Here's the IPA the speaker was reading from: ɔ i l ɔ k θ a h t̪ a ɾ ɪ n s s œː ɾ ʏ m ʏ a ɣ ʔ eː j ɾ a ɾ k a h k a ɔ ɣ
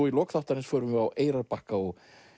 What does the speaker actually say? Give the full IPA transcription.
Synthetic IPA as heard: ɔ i l ɔ k θ a h t̪ a ɾ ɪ n s f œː ɾ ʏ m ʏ a w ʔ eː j ɾ a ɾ p a h k a ɔ ɣ